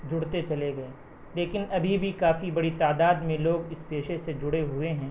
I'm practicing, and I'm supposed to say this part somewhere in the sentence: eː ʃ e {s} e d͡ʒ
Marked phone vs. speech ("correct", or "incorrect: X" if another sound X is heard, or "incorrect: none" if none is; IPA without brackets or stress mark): correct